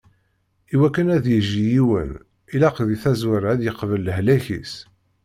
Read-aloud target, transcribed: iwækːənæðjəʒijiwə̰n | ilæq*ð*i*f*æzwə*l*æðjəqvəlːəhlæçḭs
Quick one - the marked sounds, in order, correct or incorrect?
correct, incorrect: θ, incorrect: ɾ

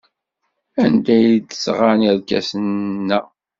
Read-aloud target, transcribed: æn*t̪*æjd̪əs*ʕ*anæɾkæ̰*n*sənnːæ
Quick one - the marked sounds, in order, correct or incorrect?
incorrect: d̪, incorrect: ʁ, incorrect: none

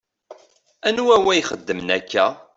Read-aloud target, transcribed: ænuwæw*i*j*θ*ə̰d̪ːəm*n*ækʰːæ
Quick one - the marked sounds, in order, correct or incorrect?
incorrect: æ, incorrect: χ, correct

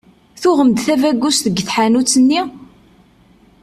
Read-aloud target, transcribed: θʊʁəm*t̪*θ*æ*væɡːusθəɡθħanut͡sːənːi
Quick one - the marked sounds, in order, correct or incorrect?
incorrect: d̪, correct

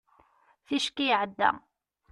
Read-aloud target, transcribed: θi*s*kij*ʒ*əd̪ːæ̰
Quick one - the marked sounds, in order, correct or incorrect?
incorrect: ʃ, incorrect: ʕ

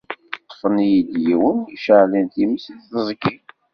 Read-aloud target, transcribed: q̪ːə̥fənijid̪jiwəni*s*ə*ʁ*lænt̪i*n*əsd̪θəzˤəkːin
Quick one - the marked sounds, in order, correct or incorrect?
incorrect: ʃ, incorrect: ʕ, incorrect: m

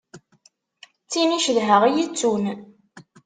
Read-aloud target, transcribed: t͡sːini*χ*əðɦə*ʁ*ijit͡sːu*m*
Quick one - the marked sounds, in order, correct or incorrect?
incorrect: ʃ, correct, incorrect: n

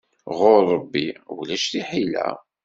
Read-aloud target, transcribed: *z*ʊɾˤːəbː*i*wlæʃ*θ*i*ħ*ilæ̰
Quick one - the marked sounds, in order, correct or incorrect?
incorrect: ʁ, correct, correct, correct

